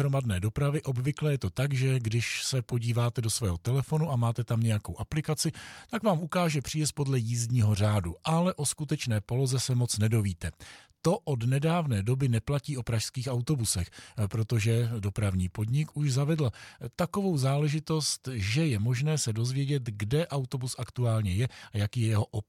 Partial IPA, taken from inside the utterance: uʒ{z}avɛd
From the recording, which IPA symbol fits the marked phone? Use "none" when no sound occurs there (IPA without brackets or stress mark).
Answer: z